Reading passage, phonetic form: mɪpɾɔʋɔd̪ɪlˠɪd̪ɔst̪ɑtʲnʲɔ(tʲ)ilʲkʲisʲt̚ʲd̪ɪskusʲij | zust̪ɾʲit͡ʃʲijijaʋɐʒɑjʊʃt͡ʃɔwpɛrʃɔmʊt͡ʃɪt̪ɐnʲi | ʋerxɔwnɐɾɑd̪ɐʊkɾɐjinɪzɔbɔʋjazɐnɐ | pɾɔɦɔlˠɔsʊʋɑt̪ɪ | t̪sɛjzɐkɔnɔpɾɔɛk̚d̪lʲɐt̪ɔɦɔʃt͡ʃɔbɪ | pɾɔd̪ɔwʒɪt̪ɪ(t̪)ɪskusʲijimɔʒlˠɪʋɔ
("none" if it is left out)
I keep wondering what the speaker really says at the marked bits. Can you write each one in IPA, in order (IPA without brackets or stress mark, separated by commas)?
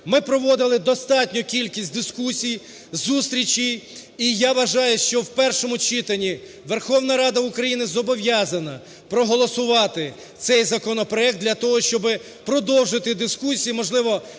kʲ, d̪